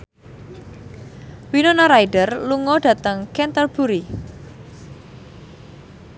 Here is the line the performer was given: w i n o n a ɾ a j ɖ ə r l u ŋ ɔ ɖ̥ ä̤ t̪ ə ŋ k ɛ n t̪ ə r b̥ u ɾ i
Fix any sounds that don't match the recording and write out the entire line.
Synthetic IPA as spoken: w i n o n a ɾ a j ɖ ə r l u ŋ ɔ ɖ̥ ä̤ t̪ ə ŋ k ɛ n t̪ ə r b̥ u ɾ i